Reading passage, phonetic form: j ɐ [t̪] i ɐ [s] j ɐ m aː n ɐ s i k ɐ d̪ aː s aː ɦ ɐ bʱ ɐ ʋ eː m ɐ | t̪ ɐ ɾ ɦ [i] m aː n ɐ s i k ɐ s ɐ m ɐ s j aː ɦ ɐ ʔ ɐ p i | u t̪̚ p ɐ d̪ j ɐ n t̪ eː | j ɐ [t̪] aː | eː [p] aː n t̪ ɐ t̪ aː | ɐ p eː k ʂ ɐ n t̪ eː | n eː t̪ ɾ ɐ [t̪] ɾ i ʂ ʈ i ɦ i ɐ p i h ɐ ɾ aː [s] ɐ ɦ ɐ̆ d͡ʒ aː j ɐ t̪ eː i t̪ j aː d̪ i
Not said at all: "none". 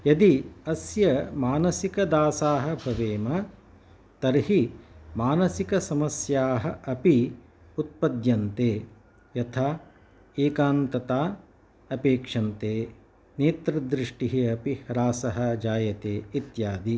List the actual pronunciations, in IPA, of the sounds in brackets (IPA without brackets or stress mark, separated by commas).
d̪, s, i, t̪ʰ, k, d̪, s